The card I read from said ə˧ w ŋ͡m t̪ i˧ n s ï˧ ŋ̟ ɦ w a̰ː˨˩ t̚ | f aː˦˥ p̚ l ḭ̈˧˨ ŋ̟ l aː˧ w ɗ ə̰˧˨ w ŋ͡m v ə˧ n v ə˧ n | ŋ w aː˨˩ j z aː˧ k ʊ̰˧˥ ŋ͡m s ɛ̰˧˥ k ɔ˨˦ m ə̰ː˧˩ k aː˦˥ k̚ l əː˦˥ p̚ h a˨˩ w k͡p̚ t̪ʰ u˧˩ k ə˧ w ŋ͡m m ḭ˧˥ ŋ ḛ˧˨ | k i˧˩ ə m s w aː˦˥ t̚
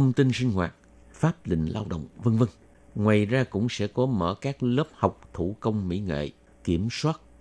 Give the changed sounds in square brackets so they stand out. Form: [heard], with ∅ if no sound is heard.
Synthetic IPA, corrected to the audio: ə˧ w ŋ͡m t̪ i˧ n s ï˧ ŋ̟ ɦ w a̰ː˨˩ t̚ | f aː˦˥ p̚ l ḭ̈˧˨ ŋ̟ l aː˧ w ɗ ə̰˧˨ w ŋ͡m v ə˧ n v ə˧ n | ŋ w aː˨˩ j z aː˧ k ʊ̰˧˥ ŋ͡m s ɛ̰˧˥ k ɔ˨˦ m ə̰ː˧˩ k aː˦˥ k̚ l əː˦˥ p̚ h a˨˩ w k͡p̚ t̪ʰ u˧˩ k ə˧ w ŋ͡m m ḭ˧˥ ŋ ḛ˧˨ | k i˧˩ ə m s w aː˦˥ t̚